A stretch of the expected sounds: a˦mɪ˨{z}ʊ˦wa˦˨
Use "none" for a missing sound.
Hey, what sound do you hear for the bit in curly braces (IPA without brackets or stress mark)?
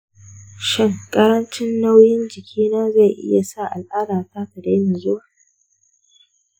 z